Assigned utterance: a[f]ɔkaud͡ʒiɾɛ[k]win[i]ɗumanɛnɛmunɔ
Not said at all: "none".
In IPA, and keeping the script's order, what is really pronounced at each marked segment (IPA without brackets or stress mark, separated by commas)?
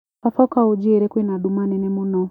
f, k, a